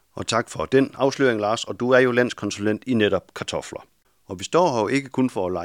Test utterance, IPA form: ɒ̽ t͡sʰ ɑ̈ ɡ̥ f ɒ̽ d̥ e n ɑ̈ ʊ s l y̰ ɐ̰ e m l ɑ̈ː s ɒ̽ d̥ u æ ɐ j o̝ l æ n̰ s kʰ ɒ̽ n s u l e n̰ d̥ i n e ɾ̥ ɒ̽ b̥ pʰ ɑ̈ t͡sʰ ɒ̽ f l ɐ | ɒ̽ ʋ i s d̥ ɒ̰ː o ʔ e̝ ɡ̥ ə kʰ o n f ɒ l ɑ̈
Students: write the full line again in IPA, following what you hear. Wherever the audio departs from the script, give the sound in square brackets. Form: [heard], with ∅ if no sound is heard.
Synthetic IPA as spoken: ɒ̽ t͡sʰ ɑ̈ ɡ̥ f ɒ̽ d̥ e n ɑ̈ ʊ s l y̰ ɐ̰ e [ŋ] l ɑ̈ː s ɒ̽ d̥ u æ ɐ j o̝ l æ n̰ s kʰ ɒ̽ n s u l e n̰ d̥ i n e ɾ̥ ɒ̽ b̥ [kʰ] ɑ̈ t͡sʰ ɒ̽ f l ɐ | ɒ̽ ʋ i s d̥ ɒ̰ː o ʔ e̝ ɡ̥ ə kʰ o n f ɒ l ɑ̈